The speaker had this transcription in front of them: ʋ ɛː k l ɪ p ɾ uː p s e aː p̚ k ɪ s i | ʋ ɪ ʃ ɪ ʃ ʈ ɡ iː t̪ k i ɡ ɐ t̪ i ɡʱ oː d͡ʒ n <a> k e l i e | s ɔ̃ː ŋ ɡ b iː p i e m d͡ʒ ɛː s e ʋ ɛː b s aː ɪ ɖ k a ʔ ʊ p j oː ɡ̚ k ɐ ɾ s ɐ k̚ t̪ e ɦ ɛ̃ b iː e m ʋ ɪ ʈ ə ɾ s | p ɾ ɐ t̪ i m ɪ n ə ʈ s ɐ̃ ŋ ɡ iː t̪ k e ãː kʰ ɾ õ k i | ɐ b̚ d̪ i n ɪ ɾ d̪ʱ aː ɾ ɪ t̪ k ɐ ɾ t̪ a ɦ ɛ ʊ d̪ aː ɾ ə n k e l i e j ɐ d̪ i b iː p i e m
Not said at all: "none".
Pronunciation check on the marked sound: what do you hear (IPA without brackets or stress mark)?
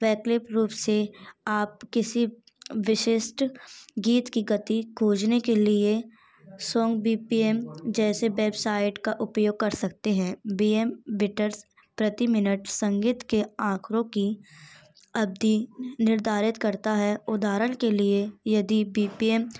e